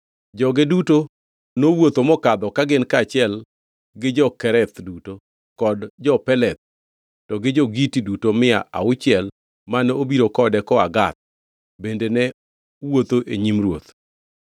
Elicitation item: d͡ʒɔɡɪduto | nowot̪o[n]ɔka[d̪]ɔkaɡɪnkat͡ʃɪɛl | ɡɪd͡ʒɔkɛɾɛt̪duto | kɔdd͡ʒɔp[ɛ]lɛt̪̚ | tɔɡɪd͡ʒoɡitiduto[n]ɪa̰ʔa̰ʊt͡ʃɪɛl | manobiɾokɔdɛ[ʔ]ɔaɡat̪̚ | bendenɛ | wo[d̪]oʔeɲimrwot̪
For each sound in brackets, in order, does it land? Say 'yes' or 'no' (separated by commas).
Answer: no, yes, yes, no, no, no